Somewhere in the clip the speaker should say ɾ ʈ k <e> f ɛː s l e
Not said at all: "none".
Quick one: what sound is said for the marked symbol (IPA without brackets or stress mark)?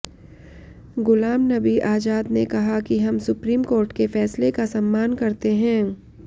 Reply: e